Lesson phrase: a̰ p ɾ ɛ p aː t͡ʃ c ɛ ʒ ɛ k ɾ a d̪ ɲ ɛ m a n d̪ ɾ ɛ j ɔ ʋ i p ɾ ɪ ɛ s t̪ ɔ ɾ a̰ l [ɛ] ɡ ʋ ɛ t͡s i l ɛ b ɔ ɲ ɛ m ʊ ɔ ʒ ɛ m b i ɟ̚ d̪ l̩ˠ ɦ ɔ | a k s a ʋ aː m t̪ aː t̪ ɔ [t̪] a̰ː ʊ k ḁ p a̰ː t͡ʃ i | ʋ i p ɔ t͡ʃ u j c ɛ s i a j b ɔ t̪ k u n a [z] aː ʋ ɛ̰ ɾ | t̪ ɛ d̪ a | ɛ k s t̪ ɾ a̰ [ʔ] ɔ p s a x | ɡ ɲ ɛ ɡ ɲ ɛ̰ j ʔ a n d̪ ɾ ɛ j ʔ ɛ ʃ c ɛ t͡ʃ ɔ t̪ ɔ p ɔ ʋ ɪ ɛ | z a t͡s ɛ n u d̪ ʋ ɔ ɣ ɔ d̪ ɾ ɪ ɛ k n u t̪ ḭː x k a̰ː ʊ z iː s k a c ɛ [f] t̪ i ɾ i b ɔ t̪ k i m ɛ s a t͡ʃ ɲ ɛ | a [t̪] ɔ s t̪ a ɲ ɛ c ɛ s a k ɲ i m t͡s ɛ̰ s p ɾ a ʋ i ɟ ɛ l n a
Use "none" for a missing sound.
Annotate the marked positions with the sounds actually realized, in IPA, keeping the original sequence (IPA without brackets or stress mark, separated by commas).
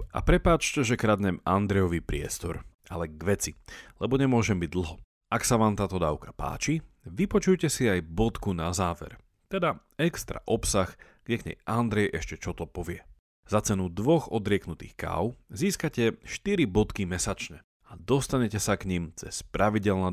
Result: ɛ, d̪, z, ʔ, ʃ, d̪